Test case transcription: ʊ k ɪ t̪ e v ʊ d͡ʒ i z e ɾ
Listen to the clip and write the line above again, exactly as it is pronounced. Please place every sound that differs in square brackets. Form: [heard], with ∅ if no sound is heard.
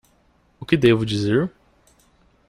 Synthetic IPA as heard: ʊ k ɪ [d̪] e v ʊ d͡ʒ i z e ɾ